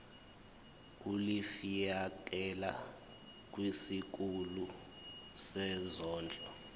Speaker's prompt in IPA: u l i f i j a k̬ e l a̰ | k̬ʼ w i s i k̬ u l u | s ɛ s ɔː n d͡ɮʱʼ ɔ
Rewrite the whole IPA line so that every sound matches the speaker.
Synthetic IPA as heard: u l i f i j a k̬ ɛ l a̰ | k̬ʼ w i s i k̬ u l u | s ɛ z ɔː n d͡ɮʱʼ ɔ